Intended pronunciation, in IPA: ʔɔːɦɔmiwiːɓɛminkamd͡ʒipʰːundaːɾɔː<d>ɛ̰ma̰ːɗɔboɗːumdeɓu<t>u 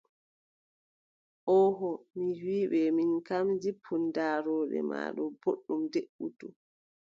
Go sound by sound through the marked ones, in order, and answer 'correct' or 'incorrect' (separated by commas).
incorrect, correct